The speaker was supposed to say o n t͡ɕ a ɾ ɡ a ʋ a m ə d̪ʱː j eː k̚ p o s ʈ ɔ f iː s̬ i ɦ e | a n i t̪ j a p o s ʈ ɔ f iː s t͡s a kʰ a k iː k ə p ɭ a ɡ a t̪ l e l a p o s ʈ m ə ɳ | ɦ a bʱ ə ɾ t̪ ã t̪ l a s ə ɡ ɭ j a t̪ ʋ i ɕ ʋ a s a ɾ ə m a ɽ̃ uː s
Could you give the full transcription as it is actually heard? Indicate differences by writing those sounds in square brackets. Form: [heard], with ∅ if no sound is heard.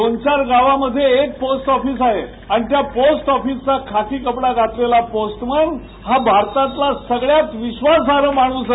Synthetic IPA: o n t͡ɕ a ɾ ɡ a ʋ a m ə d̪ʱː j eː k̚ p o s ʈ ɔ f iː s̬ [a] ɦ e | a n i t̪ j a p o s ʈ ɔ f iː s t͡s a kʰ a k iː k ə p [ɽ] a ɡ a t̪ l e l a p o s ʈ m ə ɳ | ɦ a bʱ [a] ɾ t̪ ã t̪ l a s ə ɡ ɭ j a t̪ ʋ i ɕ ʋ a s a ɾ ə m a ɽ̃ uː s